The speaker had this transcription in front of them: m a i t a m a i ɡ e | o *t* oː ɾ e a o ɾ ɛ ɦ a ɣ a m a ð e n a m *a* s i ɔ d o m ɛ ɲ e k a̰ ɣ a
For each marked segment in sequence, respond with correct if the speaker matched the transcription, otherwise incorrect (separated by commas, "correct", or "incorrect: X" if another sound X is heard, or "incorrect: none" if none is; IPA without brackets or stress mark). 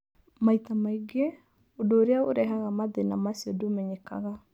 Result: incorrect: d, correct